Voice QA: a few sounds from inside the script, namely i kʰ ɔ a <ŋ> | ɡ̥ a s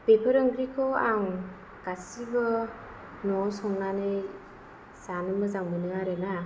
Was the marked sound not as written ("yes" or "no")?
no